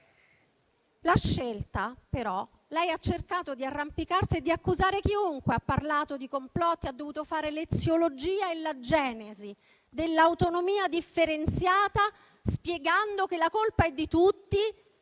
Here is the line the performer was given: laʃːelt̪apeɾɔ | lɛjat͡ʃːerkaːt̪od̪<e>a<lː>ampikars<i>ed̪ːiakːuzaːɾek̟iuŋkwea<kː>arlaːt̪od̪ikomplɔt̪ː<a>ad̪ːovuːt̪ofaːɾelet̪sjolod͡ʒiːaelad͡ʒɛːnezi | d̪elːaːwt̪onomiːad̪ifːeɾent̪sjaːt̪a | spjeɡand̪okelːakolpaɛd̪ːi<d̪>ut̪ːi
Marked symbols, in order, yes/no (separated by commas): no, no, yes, no, no, no